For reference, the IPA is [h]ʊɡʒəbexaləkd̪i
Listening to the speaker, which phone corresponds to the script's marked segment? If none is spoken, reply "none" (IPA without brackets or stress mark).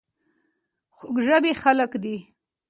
x